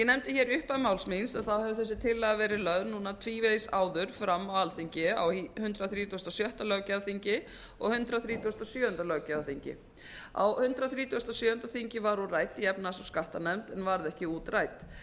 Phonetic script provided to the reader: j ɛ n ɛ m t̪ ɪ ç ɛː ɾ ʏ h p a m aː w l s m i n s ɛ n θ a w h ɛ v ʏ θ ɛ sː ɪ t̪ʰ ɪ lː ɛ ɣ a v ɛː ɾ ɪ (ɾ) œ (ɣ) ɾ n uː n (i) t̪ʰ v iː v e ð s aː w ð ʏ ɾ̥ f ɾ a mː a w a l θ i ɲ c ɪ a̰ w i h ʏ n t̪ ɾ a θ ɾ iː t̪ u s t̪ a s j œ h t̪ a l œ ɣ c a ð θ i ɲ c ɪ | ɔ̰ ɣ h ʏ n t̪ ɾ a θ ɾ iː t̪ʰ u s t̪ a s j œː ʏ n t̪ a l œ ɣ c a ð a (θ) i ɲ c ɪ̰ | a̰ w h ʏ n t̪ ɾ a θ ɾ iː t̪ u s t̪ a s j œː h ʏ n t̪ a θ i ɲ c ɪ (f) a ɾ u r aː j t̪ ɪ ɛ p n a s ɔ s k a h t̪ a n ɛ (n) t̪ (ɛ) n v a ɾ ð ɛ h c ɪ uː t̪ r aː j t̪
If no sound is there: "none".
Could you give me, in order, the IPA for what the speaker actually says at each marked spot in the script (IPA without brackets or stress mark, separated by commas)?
l, ð, a, θ, v, m, ɛ